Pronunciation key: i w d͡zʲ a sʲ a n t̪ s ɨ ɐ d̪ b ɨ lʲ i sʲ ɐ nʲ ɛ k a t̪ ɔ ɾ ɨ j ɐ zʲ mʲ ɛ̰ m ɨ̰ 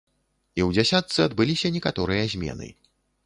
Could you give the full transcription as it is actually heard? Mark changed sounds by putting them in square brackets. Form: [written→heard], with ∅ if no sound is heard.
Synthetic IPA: i w d͡zʲ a sʲ a [n→∅] t̪ s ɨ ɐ d̪ b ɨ lʲ i sʲ ɐ nʲ ɛ k a t̪ ɔ ɾ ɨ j ɐ zʲ mʲ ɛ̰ [m→n] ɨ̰